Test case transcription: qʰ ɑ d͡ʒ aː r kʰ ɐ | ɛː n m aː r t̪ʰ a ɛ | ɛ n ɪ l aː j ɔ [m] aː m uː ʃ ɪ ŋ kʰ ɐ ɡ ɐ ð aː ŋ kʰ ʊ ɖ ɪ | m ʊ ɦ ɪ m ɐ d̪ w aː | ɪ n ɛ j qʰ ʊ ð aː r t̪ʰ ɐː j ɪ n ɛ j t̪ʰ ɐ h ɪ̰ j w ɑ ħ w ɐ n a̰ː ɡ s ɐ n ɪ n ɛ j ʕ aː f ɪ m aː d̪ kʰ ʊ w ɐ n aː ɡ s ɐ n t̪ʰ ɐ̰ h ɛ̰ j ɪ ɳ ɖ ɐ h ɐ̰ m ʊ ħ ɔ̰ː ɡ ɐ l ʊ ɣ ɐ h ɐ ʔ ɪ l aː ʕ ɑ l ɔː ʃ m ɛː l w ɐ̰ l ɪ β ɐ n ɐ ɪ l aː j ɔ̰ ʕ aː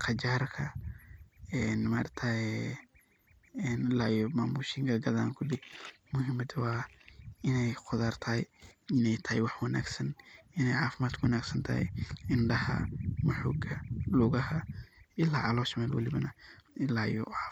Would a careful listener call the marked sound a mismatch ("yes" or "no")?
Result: no